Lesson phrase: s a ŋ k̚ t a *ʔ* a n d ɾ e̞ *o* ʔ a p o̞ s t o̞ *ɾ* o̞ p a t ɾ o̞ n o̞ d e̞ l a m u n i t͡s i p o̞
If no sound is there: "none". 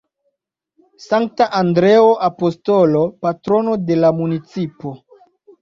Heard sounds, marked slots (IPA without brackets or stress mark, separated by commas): ʔ, o, l